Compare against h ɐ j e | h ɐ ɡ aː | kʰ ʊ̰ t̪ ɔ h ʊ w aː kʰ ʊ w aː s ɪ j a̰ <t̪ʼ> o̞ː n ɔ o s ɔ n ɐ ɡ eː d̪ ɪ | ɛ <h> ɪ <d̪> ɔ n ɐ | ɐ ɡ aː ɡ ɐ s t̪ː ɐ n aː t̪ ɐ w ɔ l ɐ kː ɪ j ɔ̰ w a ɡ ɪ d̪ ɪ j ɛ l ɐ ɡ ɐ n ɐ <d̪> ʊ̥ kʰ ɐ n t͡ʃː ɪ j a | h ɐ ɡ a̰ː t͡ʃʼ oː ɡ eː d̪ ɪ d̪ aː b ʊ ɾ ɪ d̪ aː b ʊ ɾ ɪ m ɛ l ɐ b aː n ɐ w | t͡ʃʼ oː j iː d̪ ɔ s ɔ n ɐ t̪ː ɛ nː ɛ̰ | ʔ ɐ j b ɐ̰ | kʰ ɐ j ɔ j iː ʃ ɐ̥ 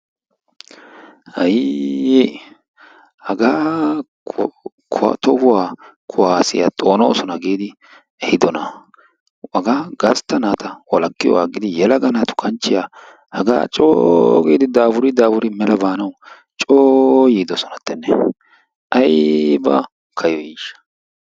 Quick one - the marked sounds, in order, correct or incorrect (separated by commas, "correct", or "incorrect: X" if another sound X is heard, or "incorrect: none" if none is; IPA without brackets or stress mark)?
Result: correct, correct, correct, incorrect: t̪